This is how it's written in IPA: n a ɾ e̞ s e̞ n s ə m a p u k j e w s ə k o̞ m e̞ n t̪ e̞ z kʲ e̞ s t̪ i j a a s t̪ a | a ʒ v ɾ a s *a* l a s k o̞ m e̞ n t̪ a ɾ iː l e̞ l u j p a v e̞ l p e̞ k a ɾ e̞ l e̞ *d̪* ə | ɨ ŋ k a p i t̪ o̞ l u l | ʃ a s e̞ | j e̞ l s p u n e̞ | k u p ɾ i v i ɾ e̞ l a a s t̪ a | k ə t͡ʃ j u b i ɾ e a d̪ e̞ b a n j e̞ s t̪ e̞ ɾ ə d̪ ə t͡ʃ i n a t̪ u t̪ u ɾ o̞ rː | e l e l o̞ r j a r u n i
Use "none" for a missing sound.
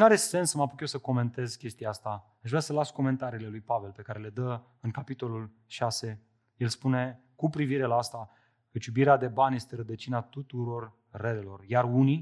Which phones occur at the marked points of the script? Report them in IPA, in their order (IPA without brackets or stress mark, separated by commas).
ə, d̪